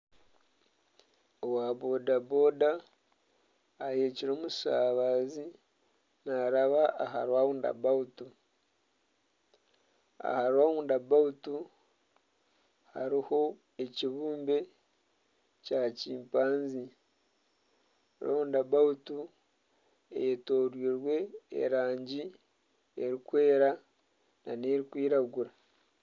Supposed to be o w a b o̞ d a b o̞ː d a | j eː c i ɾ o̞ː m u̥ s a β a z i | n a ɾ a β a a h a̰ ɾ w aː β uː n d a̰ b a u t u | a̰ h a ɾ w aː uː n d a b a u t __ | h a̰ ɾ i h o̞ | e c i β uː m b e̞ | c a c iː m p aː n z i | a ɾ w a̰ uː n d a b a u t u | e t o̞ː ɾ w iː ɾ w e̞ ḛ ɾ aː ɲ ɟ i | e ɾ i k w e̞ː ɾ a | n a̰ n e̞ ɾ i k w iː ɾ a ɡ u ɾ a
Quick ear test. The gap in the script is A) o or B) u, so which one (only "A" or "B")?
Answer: B